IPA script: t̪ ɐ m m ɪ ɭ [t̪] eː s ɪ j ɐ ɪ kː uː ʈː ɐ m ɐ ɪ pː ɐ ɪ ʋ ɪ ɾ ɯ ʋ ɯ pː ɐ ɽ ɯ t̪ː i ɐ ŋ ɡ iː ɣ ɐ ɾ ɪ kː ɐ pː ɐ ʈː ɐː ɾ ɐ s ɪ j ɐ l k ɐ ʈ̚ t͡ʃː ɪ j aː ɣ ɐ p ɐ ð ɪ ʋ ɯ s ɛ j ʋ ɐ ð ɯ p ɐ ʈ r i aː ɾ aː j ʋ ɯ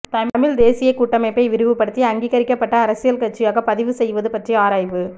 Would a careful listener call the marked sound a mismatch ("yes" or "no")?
yes